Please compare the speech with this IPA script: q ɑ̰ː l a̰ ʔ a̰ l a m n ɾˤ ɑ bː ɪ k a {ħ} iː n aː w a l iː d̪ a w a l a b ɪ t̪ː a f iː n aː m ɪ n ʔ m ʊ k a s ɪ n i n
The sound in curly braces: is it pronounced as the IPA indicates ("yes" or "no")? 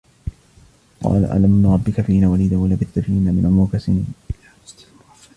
no